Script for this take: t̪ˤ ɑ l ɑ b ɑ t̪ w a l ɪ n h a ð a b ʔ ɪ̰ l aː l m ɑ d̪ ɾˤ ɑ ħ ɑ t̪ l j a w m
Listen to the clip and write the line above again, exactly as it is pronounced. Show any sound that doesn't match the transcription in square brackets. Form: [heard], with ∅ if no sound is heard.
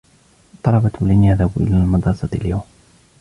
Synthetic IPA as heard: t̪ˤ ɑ l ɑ b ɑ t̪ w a l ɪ n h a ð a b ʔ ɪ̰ l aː l m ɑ d̪ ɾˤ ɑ [s] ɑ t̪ l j a w m